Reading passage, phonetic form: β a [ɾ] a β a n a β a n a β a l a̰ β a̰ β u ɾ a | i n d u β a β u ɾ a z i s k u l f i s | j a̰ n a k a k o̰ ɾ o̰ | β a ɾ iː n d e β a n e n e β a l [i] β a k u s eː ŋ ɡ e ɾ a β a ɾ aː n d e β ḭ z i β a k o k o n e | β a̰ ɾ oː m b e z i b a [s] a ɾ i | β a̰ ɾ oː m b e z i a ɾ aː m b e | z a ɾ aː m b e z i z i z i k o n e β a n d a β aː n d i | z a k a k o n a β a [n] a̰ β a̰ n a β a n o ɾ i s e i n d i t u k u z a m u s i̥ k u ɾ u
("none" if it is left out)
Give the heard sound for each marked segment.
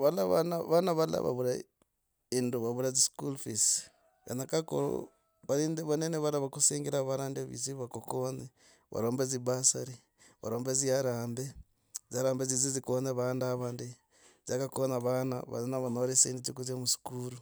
l, a, s, n

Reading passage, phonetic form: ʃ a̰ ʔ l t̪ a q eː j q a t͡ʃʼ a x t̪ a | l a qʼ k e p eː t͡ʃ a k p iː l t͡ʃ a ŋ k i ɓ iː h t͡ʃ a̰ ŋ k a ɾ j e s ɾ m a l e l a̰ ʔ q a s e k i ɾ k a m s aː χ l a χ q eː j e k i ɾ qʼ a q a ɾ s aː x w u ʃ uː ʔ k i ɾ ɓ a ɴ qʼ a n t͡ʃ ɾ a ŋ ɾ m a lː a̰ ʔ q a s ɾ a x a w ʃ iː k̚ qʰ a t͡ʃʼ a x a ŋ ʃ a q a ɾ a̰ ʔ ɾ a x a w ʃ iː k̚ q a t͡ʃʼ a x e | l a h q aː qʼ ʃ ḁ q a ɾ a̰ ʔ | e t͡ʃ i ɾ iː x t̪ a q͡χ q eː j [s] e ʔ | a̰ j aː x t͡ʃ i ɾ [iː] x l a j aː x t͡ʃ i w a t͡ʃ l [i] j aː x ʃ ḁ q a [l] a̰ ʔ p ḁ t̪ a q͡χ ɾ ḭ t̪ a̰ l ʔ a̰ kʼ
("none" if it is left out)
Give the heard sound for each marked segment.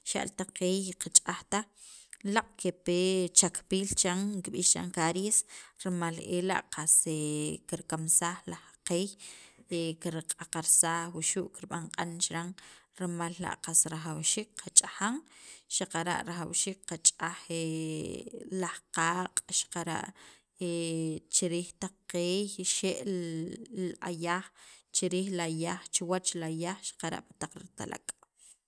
ʃ, iː, a, ɾ

